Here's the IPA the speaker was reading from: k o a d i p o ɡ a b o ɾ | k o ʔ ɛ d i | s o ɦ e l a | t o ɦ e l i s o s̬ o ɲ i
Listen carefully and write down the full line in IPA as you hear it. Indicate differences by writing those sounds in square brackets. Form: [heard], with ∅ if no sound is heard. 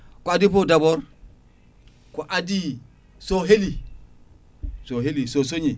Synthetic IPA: k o a d i p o [d] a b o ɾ | k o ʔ [a] d i | s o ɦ e l [i] | [s] o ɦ e l i s o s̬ o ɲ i

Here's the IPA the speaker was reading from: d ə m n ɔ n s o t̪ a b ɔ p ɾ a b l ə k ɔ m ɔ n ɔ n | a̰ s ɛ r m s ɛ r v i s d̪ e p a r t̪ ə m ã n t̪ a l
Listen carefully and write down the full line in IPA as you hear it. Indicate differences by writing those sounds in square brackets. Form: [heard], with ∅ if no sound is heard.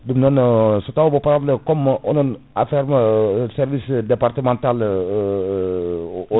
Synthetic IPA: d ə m n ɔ n s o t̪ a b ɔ p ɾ a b l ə k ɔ m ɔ n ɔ n | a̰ [f] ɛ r m s ɛ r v i s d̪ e p a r t̪ ə m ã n t̪ a l

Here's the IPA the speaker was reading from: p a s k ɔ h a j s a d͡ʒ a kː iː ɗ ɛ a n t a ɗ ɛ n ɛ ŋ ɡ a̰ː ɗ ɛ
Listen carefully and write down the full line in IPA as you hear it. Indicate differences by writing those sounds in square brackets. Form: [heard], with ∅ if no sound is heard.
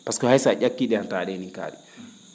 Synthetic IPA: p a s k ɔ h a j s a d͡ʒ a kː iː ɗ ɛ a n t a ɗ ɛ n [i] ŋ [k] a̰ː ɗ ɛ

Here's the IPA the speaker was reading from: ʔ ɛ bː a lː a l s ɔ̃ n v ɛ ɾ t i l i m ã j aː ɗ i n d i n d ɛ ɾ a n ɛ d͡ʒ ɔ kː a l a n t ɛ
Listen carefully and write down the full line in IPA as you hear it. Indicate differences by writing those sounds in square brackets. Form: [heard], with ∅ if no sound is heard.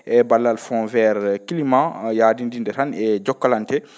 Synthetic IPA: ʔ ɛ [b] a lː a l [f] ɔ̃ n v ɛ ɾ [k] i l i m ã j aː [d] i n d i n d ɛ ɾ a n ɛ d͡ʒ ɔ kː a l a n t ɛ

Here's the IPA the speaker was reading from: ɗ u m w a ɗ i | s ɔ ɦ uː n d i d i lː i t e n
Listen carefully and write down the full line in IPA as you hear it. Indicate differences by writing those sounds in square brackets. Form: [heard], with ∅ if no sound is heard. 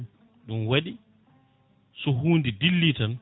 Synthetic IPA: ɗ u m w a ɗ i | s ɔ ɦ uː n d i d i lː i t [a] n

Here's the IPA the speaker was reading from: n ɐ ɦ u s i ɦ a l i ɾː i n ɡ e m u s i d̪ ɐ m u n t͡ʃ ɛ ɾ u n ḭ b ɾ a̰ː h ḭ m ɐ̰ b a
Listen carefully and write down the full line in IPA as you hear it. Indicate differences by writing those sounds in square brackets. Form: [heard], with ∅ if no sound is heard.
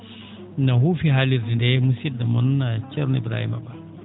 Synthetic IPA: n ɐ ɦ u [f] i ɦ a l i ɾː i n [d] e m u s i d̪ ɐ m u n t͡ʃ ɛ ɾ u n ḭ b ɾ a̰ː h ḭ m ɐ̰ b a

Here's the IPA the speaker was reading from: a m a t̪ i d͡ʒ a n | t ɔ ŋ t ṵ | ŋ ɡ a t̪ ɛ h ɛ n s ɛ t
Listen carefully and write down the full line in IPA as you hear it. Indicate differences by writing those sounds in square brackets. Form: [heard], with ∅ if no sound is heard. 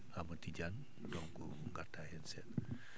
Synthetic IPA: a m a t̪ i d͡ʒ a n | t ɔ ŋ [k] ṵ | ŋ ɡ a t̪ [a] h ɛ n s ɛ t

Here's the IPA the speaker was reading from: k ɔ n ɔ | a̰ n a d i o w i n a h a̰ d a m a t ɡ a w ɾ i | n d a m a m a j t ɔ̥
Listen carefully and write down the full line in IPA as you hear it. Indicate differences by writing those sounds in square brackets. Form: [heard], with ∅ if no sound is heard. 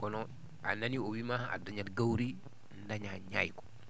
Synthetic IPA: k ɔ n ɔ | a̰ n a [n] i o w i [m] a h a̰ d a [ɲ] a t ɡ a w ɾ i | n d a [ɲ] a [ɲ] a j [k] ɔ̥

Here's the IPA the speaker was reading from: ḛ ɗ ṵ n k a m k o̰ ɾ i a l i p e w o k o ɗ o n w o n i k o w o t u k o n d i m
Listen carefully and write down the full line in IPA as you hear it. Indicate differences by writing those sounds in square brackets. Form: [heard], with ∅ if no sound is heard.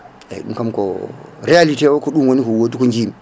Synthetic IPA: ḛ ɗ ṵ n k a m k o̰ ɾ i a l i [t] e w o k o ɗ [u] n w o n i k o w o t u k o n [d͡ʒ] i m

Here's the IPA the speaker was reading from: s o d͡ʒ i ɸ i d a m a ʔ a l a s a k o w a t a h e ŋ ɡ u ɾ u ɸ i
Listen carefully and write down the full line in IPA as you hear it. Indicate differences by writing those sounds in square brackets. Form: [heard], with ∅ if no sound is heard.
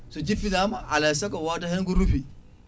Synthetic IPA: s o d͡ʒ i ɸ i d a m a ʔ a l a s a k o w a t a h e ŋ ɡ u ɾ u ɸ i

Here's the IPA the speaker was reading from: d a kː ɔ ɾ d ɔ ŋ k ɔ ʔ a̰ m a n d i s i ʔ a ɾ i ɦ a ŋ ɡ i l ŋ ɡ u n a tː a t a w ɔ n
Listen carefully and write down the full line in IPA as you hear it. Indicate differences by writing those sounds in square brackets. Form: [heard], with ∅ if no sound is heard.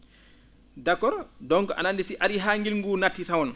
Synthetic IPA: d a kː ɔ ɾ d ɔ ŋ k ɔ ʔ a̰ [n] a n d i s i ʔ a ɾ i ɦ a ŋ ɡ i l ŋ ɡ u n a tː [i] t a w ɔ n

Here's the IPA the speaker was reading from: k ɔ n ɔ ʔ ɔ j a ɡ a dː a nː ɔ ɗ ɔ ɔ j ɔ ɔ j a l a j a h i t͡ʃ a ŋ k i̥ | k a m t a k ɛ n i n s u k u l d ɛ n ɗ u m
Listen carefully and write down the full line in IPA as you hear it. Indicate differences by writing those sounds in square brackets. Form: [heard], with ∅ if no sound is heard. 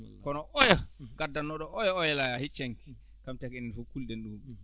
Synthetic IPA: k ɔ n ɔ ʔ ɔ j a ɡ a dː a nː ɔ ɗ ɔ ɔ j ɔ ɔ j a l a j a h i t͡ʃ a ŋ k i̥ | k a m t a k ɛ n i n [f] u k u l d ɛ n ɗ u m

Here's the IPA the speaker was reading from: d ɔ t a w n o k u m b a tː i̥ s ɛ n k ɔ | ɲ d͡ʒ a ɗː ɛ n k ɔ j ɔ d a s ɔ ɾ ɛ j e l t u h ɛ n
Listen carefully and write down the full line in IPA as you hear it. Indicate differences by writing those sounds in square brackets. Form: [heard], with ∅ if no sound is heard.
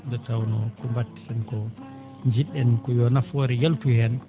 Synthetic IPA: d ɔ t a w n [ɔ] k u m b a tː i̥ s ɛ n k ɔ | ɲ d͡ʒ [i] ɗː ɛ n k ɔ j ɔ [n] a [f] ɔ ɾ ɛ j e l t u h ɛ n

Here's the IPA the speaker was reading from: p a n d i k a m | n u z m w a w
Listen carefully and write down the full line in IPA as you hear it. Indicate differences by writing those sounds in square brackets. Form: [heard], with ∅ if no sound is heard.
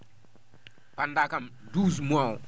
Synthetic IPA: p a n d [a] k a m | [d] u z m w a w

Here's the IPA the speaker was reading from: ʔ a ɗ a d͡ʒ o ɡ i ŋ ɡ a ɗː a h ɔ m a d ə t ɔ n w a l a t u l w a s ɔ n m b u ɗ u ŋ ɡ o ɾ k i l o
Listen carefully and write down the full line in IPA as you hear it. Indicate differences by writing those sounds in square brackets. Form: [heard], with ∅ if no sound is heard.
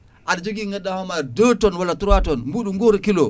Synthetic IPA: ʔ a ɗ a d͡ʒ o ɡ i ŋ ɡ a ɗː a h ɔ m a d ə t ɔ n w a l a t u [ɾ] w a [t] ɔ n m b u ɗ u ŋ ɡ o ɾ k i l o

